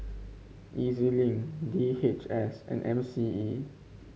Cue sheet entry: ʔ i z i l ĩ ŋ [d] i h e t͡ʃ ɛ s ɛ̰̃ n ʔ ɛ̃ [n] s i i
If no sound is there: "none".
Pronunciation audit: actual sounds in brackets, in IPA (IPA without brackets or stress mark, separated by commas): d, m